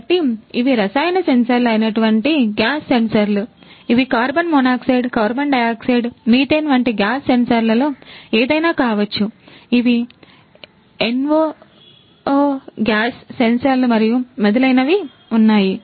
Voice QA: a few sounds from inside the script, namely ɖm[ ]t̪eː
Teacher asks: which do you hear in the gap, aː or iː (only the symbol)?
iː